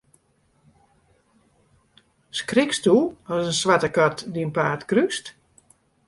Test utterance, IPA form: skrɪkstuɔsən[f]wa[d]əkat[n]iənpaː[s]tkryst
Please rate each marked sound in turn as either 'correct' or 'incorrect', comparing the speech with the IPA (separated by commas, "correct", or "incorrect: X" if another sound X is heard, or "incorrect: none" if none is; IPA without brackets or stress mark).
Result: incorrect: s, incorrect: t, incorrect: d, incorrect: none